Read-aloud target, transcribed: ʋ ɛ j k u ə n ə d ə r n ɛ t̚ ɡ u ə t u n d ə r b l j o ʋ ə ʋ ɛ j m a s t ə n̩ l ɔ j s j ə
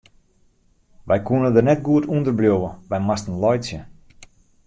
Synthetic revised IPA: ʋ ɛ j k u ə n ə d ə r n ɛ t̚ ɡ u ə t u n d ə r b l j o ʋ ə ʋ ɛ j m a s t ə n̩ l ɔ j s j ə